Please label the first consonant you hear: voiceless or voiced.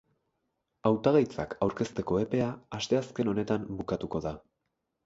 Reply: voiced